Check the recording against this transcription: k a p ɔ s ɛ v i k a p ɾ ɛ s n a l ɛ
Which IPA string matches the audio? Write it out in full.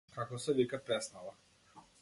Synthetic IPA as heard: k a k ɔ s ɛ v i k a p ɾ ɛ s n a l a

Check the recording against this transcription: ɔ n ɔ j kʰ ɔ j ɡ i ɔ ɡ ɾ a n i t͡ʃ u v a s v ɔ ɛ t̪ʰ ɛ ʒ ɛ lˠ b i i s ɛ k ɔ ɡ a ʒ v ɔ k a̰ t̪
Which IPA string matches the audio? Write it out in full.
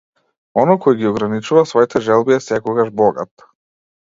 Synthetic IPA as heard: ɔ n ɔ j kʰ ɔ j ɡ i ɔ ɡ ɾ a n i t͡ʃ u v a s v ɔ i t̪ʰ ɛ ʒ ɛ lˠ b i ɛ s ɛ k ɔ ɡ a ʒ b ɔ ɡ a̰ t̪

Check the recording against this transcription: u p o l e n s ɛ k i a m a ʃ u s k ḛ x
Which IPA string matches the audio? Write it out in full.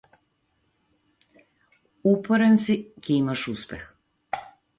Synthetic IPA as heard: u p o ɾ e n s i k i i m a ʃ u s p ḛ x

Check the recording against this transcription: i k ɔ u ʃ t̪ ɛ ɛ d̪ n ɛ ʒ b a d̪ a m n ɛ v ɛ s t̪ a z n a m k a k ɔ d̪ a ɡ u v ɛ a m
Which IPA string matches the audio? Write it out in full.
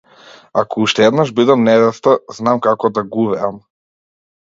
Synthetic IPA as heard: a k ɔ u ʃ t̪ ɛ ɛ d̪ n a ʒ b i d̪ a m n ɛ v ɛ s t̪ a z n a m k a k ɔ d̪ a ɡ u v ɛ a m

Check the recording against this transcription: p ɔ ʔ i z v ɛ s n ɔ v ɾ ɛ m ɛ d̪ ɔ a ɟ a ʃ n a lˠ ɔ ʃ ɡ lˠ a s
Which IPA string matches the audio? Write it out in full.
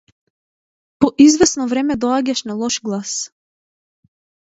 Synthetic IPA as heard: p ɔ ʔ i z v ɛ s n ɔ v ɾ ɛ m ɛ d̪ ɔ a ɟ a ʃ n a lˠ ɔ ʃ ɡ lˠ a s

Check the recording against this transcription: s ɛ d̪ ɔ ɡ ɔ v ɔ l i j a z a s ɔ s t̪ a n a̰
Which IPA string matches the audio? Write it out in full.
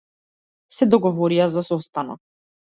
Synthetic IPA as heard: s ɛ d̪ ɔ ɡ ɔ v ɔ ɾ i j a z a s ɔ s t̪ a n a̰

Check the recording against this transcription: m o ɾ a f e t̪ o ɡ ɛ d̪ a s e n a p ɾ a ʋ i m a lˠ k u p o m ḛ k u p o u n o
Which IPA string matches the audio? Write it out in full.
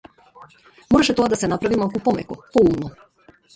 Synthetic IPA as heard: m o ɾ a ʃ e t̪ o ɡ a d̪ a s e n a p ɾ a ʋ i m a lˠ k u p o m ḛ k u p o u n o

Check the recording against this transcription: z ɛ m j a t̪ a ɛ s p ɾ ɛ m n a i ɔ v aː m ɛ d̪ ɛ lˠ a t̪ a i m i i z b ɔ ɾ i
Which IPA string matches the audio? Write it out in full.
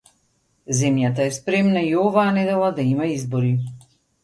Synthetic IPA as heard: z ɛ m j a t̪ a ɛ s p ɾ ɛ m n a i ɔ v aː n ɛ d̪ ɛ lˠ a d̪ a i m a i z b ɔ ɾ i

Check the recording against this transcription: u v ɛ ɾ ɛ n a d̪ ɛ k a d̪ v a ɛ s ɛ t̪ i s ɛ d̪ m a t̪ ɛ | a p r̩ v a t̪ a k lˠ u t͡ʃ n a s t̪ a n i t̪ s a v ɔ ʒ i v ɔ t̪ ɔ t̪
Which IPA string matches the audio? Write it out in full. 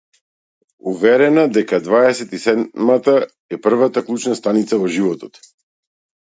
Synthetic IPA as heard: u v ɛ ɾ ɛ n a d̪ ɛ k a d̪ v a ɛ s ɛ t̪ i s ɛ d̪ m a t̪ a | ɛ p r̩ v a t̪ a k lˠ u t͡ʃ n a s t̪ a n i t̪ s a v ɔ ʒ i v ɔ t̪ ɔ t̪

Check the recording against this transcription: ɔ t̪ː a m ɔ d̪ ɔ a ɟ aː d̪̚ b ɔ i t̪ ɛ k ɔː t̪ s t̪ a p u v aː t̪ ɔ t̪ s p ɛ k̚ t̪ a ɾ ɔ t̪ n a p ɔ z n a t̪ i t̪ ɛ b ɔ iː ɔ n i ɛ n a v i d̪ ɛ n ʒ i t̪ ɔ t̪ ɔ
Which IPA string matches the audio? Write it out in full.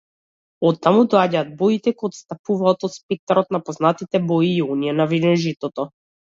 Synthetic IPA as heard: ɔ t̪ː a m u d̪ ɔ a ɟ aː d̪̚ b ɔ i t̪ ɛ k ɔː t̪ s t̪ a p u v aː t̪ ɔ t̪ s p ɛ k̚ t̪ a ɾ ɔ t̪ n a p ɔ z n a t̪ i t̪ ɛ b ɔ iː ɔ n i ɛ n a v i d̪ ɛ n ʒ i t̪ ɔ t̪ ɔ

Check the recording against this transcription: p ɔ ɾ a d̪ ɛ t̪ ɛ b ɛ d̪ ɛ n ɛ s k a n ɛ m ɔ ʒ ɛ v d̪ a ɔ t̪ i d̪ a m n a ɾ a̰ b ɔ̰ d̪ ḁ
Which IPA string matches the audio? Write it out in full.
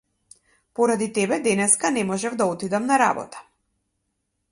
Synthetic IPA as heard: p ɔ ɾ a d̪ i t̪ ɛ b ɛ d̪ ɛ n ɛ s k a n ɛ m ɔ ʒ ɛ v d̪ a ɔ t̪ i d̪ a m n a ɾ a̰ b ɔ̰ t̪ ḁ

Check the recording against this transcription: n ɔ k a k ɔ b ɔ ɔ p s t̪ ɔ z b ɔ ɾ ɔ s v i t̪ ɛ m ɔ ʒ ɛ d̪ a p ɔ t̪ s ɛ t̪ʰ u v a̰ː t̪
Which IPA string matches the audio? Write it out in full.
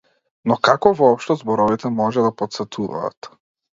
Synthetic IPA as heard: n ɔ k a k ɔ v ɔ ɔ p ʃ t̪ ɔ z b ɔ ɾ ɔ v i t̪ ɛ m ɔ ʒ ɛ d̪ a p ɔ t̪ s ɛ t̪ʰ u v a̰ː t̪

